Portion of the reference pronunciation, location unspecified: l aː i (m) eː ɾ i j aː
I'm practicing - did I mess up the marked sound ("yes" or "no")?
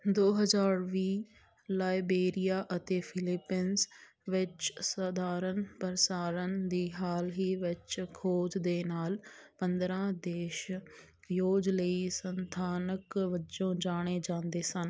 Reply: yes